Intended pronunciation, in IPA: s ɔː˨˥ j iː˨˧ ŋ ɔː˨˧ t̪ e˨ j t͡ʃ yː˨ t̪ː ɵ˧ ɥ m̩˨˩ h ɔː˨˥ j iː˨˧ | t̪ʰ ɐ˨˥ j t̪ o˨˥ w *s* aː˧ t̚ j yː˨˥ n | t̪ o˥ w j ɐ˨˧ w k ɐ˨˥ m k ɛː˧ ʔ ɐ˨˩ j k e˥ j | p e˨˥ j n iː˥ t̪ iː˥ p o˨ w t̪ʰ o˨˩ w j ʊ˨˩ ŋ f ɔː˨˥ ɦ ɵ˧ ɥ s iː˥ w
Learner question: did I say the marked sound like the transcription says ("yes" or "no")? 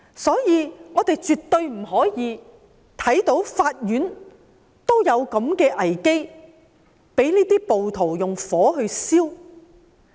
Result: no